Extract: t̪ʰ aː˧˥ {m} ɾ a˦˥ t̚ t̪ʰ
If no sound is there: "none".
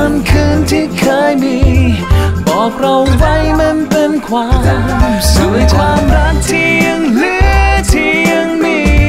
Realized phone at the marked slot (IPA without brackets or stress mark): m